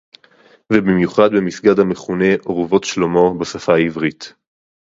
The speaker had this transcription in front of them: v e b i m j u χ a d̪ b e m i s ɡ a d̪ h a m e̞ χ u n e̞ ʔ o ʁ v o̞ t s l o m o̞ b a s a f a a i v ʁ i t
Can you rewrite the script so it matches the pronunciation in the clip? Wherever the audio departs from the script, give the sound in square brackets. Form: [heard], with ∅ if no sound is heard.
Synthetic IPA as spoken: v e b i m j u χ a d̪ b e m i s ɡ a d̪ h a m e̞ χ u n e̞ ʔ o ʁ v o̞ t [ʃ] l o m o̞ b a s a f a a i v ʁ i t